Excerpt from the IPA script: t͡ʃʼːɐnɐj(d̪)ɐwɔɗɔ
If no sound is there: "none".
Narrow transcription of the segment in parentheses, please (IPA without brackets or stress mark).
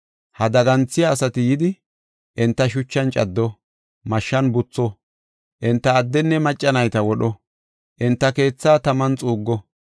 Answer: t̪